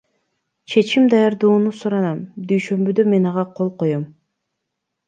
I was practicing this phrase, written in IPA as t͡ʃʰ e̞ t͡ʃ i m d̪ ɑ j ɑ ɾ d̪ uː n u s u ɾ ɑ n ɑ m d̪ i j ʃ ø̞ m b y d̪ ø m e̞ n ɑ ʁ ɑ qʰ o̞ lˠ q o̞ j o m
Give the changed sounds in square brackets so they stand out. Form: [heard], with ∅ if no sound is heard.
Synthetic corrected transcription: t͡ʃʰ e̞ t͡ʃ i m d̪ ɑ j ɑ ɾ d̪ uː n u s u ɾ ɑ n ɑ m d̪ [y] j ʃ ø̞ m b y d̪ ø m e̞ n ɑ ʁ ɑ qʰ o̞ lˠ q o̞ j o m

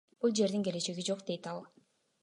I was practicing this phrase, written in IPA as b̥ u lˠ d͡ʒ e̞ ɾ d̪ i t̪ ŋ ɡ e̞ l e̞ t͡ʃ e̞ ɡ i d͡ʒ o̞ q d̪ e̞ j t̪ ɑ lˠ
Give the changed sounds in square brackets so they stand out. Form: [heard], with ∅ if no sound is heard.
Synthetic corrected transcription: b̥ u lˠ d͡ʒ e̞ ɾ d̪ i [∅] ŋ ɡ e̞ l e̞ t͡ʃ e̞ ɡ i d͡ʒ o̞ q d̪ e̞ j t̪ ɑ lˠ

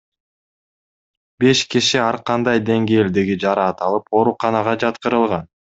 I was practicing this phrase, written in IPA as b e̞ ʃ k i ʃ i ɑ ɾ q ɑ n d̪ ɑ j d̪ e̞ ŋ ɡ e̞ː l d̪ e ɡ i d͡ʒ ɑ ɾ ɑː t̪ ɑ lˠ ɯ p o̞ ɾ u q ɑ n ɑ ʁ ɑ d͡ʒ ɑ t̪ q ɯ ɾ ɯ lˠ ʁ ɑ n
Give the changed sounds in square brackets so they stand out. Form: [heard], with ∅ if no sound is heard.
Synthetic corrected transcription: b e̞ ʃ k i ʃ i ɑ ɾ q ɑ n d̪ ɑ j d̪ e̞ ŋ ɡ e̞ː l d̪ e ɡ i d͡ʒ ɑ ɾ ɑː t̪ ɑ lˠ ɯ p o̞ ɾ u q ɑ n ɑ ʁ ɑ d͡ʒ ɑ t̪ q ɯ ɾ ɯ lˠ ʁ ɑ n

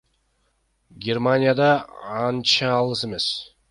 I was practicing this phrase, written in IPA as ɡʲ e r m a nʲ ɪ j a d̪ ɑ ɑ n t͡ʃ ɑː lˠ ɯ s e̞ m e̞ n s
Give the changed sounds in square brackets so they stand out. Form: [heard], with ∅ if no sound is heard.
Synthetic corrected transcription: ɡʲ e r m a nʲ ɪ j a d̪ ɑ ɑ n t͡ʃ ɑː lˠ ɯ s e̞ m e̞ [∅] s

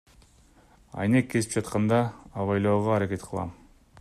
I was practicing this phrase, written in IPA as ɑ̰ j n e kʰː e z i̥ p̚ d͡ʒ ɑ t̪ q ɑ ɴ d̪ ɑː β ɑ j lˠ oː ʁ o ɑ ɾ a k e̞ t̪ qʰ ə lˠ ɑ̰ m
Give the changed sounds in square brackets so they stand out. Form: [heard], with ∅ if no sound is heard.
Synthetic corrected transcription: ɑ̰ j n e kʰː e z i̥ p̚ d͡ʒ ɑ t̪ q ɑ [n] d̪ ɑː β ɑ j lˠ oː ʁ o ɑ ɾ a k e̞ t̪ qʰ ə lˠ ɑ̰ m

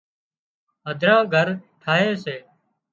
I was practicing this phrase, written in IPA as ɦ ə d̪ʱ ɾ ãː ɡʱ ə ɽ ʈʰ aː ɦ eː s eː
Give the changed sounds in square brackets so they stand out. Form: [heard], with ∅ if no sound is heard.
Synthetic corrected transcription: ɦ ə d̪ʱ ɾ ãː ɡʱ ə [ɾ] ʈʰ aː ɦ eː s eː

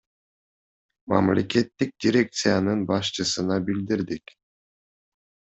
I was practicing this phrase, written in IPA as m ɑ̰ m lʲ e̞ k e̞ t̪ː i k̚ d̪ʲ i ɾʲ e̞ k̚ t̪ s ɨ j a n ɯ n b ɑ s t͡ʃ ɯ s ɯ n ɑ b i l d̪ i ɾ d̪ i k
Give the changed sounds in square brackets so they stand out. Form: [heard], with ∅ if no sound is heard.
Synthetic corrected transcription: m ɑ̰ m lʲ e̞ k e̞ t̪ː i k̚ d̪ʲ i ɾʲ e̞ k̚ t̪ s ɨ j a n ɯ n b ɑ [ʃ] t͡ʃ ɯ s ɯ n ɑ b i l d̪ i ɾ d̪ i k

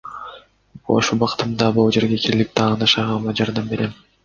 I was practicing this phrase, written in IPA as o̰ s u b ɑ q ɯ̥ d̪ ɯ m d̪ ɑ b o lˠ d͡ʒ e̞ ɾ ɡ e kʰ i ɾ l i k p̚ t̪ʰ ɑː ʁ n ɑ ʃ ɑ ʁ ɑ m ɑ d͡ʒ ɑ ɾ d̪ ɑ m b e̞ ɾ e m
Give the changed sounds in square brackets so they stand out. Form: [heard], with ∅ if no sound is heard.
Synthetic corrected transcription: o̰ [ʃ] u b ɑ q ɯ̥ [t̪] ɯ m d̪ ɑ b o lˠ d͡ʒ e̞ ɾ ɡ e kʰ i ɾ l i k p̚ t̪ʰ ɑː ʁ n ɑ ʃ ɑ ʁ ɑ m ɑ d͡ʒ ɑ ɾ d̪ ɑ m b e̞ ɾ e m

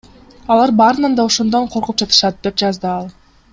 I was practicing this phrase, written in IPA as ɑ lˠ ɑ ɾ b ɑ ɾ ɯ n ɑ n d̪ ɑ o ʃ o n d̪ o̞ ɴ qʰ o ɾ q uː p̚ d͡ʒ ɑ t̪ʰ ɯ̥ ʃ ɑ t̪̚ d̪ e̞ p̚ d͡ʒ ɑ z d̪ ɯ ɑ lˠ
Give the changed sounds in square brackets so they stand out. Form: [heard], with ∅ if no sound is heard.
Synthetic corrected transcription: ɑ lˠ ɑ ɾ b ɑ ɾ ɯ n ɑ n d̪ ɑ o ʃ o n d̪ o̞ ɴ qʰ o ɾ q [u] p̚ d͡ʒ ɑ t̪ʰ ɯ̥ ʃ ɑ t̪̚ d̪ e̞ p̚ d͡ʒ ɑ z d̪ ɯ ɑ lˠ

